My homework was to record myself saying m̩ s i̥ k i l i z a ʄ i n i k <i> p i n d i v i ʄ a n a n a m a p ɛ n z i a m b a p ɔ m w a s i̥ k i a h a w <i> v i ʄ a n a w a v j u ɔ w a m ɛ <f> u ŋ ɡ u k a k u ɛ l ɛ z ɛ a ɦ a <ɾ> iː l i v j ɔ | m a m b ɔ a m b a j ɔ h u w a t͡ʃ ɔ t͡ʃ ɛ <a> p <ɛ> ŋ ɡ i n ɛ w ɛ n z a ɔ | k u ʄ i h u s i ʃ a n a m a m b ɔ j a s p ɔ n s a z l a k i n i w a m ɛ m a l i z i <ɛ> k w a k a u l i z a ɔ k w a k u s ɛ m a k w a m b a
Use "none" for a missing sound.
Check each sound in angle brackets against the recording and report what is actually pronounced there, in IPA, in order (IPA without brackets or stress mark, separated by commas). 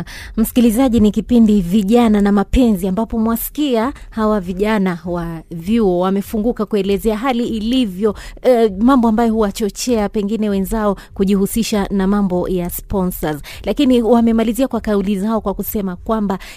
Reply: i, a, f, l, a, ɛ, a